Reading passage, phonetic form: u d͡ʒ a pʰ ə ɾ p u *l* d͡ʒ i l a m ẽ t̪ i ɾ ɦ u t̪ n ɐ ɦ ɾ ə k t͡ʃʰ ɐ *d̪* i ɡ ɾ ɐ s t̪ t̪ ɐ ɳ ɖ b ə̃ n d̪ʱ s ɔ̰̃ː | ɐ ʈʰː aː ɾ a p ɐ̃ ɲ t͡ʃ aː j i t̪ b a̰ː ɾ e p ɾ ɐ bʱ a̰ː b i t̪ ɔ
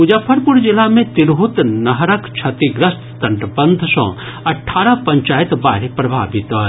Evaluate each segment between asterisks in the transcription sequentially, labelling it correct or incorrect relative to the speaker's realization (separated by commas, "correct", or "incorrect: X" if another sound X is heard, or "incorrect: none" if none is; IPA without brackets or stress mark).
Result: incorrect: ɾ, incorrect: t̪